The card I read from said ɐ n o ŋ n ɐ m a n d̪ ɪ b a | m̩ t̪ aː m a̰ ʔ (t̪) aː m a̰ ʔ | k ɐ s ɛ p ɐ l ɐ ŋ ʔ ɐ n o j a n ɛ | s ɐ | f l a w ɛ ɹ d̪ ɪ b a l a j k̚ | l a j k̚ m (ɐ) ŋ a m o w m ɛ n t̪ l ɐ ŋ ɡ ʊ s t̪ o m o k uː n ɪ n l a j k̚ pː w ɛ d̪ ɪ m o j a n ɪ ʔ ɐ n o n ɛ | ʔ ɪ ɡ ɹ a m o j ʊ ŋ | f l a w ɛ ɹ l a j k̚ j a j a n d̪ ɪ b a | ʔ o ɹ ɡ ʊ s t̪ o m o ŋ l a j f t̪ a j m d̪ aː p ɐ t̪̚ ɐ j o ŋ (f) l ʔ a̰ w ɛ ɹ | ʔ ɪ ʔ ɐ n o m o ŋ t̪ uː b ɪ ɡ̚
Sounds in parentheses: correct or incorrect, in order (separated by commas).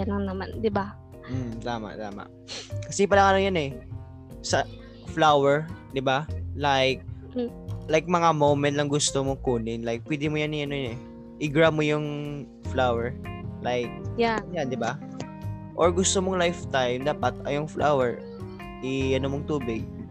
correct, correct, correct